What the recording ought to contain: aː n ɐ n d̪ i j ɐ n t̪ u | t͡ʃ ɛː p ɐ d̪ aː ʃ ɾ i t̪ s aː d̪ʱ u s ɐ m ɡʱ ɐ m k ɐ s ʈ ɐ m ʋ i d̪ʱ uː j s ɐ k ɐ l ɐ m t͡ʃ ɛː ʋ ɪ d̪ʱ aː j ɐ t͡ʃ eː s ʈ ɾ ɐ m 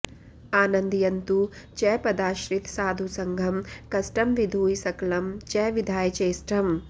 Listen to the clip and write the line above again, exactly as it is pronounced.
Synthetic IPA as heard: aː n ɐ n d̪ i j ɐ n t̪ u | t͡ʃ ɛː p ɐ d̪ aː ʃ ɾ i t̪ s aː d̪ʱ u s ɐ ŋ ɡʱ ɐ m k ɐ s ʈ ɐ m ʋ i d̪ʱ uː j s ɐ k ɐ l ɐ m t͡ʃ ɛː ʋ i d̪ʱ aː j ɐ t͡ʃ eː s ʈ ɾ ɐ m